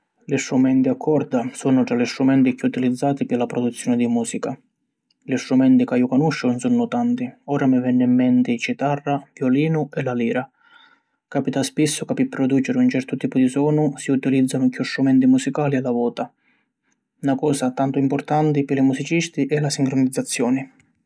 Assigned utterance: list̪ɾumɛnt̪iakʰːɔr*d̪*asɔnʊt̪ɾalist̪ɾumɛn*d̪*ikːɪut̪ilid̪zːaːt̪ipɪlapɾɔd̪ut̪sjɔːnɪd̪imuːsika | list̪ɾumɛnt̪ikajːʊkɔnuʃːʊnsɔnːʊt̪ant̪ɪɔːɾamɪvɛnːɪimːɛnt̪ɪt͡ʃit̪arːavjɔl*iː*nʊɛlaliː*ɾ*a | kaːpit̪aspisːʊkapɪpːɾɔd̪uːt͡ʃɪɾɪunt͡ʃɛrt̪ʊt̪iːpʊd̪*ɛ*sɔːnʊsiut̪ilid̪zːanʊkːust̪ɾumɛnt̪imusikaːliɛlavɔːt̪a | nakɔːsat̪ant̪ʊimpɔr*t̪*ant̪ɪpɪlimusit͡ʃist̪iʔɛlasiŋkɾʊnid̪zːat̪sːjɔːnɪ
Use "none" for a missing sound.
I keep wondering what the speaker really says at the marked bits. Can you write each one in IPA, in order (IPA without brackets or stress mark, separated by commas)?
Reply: d̪, t̪, iː, ɾ, i, t̪